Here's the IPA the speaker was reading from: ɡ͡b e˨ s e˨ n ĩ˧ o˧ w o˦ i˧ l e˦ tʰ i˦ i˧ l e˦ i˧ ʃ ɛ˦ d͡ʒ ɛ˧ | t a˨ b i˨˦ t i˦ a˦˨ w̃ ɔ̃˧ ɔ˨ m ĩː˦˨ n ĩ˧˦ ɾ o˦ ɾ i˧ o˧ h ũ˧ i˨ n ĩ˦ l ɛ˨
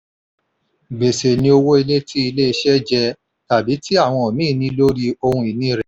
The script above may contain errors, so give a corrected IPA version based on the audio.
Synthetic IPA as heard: ɡ͡b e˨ s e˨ n ĩ˧ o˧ w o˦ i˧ l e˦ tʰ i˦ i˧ l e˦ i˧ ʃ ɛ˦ d͡ʒ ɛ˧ | t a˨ b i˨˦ t i˦ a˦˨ w̃ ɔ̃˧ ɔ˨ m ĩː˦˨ n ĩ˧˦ l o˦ ɾ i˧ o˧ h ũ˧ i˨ n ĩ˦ ɾ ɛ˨